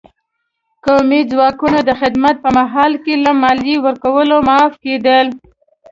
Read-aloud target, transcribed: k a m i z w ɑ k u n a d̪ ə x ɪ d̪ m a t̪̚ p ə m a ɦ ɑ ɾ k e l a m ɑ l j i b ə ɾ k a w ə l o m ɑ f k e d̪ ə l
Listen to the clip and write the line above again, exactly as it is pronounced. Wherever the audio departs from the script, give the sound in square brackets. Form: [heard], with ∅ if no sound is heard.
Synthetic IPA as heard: k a m i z w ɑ k u n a d̪ ə x ɪ d̪ m a t̪̚ p ə m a ɦ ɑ [l] k e l a m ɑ l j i [w] ə ɾ k a w ə l o m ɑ f k e d̪ ə l